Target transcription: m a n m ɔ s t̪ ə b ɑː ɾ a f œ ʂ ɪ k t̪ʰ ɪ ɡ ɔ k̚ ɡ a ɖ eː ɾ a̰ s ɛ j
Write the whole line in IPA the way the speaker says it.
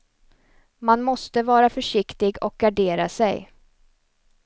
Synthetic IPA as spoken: m a n m ɔ s t̪ ə v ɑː ɾ a f œ ʂ ɪ k t̪ ɪ ɡ ɔ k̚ ɡ a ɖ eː ɾ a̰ s ɛ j